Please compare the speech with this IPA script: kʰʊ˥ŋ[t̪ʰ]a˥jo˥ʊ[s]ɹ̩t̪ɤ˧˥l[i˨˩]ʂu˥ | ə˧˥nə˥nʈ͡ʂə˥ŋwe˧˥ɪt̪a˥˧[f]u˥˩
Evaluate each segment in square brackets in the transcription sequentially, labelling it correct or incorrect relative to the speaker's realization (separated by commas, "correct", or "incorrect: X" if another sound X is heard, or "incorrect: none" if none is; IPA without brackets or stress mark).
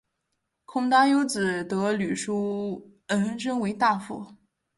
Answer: incorrect: t̪, incorrect: t͡s, incorrect: y˨˩, correct